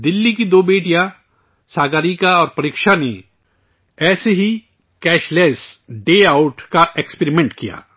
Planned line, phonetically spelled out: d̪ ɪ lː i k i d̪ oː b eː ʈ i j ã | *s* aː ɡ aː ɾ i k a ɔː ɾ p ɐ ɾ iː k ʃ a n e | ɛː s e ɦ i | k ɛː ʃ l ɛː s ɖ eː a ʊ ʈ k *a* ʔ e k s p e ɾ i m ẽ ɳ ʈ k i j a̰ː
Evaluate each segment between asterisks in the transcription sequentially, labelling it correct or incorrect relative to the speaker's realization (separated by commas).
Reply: correct, correct